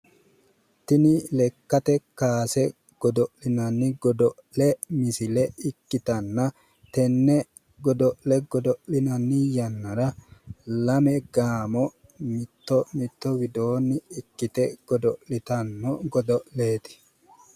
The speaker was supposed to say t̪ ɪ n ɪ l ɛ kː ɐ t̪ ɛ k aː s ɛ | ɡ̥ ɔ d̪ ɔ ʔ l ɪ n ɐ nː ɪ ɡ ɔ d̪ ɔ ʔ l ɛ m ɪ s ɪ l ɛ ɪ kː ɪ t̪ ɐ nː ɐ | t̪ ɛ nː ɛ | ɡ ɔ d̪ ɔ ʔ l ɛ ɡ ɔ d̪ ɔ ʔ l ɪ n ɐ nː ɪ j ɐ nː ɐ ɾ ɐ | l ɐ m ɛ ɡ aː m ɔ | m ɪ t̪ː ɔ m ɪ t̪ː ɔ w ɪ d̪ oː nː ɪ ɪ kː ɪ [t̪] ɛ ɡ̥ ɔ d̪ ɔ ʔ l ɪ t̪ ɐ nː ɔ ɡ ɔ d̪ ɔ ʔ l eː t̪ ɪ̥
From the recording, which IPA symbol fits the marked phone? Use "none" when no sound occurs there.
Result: t̪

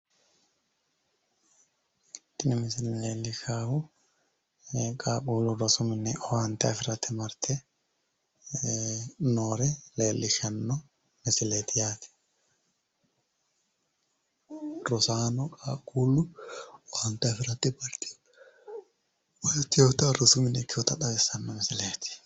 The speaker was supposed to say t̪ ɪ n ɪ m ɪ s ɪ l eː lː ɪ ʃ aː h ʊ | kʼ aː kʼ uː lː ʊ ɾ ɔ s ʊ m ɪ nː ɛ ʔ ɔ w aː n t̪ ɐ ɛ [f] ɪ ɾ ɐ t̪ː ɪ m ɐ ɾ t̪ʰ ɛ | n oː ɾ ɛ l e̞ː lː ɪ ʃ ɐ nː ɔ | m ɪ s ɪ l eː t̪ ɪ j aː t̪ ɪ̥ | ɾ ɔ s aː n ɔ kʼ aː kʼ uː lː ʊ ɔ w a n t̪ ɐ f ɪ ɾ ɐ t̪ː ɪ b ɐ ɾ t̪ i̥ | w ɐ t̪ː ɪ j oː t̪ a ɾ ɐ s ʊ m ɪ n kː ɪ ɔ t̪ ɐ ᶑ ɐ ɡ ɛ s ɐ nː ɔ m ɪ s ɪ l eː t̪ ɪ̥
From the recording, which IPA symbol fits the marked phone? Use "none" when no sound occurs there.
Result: f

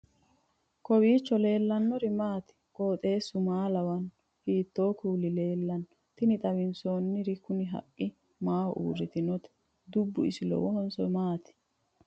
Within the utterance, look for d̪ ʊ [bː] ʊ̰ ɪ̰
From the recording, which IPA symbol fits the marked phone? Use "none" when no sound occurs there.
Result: bː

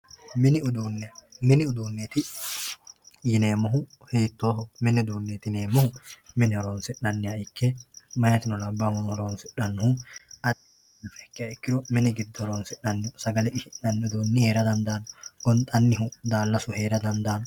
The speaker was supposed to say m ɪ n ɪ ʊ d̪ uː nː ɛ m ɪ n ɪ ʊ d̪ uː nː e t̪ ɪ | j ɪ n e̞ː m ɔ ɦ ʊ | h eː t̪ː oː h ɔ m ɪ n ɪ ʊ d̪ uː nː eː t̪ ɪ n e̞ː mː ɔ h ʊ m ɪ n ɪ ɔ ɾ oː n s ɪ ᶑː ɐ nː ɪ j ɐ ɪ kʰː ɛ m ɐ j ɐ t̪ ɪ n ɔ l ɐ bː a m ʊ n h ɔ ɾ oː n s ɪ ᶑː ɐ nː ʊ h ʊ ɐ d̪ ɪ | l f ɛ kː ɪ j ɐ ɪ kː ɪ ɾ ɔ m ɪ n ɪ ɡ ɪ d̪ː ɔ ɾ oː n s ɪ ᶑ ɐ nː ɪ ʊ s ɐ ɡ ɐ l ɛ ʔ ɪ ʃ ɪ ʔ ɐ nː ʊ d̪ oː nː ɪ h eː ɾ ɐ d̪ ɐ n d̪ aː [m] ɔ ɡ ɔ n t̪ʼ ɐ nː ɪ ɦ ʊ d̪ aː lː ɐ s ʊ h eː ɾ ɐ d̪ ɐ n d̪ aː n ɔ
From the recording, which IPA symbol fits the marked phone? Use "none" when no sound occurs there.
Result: n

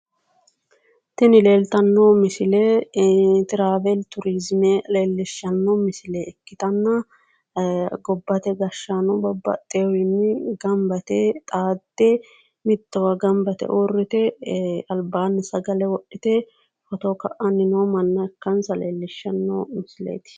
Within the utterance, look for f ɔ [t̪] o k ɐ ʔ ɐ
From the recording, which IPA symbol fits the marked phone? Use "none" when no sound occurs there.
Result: t̪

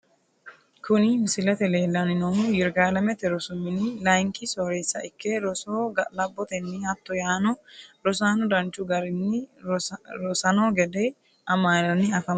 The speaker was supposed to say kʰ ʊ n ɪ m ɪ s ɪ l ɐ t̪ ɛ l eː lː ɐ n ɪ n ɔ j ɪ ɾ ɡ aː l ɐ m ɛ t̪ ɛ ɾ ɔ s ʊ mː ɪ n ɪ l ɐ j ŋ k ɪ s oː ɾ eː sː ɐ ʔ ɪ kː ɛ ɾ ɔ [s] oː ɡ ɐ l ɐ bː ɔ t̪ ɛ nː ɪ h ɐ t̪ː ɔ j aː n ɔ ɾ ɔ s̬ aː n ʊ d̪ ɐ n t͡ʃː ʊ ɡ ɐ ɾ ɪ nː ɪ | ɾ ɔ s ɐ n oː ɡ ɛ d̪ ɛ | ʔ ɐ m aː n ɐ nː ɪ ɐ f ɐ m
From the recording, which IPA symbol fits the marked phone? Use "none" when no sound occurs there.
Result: s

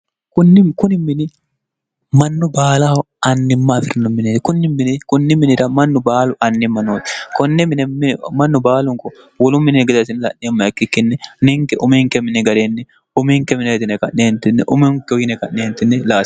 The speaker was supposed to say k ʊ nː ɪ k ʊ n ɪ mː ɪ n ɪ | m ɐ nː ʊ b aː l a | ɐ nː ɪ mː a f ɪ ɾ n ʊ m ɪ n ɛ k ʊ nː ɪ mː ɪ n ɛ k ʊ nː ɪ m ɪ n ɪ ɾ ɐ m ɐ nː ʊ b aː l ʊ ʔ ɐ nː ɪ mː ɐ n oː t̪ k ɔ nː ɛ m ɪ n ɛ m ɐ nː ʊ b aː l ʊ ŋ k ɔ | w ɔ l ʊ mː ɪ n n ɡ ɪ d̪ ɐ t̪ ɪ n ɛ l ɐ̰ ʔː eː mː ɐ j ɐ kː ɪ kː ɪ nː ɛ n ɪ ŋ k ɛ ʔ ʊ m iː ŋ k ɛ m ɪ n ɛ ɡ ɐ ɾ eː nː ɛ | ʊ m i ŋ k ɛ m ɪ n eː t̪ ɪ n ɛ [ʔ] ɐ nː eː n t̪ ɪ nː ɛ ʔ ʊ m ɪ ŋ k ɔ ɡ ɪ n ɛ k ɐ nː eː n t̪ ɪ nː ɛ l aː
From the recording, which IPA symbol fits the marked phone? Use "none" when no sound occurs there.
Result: k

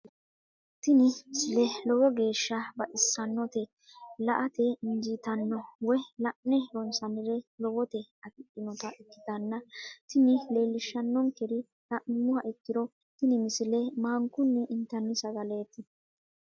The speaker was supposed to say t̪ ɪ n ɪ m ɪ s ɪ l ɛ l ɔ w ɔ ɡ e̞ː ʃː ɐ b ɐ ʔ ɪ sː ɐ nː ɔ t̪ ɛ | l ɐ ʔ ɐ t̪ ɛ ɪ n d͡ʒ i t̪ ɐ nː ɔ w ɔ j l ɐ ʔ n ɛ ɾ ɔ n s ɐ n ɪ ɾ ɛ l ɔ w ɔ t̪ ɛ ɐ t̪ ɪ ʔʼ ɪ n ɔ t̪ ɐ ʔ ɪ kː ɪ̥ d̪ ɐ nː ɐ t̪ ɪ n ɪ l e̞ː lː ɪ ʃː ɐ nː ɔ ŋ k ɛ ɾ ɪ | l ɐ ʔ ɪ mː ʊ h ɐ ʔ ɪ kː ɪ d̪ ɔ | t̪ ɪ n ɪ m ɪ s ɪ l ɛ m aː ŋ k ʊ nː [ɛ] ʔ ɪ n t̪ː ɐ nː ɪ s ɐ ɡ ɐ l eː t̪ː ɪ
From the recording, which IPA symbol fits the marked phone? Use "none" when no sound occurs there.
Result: ɛ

